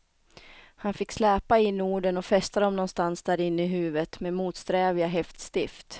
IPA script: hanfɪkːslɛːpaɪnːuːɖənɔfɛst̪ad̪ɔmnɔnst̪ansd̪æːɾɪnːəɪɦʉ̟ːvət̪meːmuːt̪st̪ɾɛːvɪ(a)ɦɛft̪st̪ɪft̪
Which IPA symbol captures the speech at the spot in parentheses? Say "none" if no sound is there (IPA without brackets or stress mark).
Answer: a